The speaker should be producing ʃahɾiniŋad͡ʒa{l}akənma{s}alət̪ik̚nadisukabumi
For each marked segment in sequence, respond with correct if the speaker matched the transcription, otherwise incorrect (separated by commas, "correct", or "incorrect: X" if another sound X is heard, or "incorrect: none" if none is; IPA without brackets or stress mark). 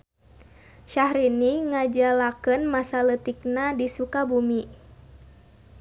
correct, correct